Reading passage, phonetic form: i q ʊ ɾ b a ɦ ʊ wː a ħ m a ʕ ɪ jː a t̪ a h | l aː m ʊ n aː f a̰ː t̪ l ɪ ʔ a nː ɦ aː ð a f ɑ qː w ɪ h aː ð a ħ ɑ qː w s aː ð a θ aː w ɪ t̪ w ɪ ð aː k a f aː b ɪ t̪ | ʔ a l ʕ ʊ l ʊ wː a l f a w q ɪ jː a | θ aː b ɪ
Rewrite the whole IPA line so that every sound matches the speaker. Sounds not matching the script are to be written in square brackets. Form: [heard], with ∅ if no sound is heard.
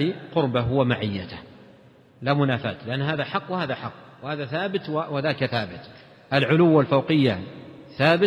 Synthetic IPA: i q ʊ ɾ b a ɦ ʊ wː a [∅] m a ʕ ɪ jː a t̪ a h | l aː m ʊ n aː f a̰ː t̪ l ɪ ʔ a nː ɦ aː ð a [ħ] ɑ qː w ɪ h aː ð a ħ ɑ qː w [h] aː ð a θ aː [b] ɪ t̪ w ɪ ð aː k a [θ] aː b ɪ t̪ | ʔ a l ʕ ʊ l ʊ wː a l f a w q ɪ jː a | θ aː b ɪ